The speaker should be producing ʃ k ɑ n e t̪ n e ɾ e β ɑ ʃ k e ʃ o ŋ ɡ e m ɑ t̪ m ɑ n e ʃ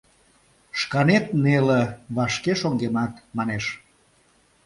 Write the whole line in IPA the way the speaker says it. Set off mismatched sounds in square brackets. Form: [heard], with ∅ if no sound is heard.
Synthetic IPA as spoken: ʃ k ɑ n e t̪ n e [l] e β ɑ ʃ k e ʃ o ŋ ɡ e m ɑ t̪ m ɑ n e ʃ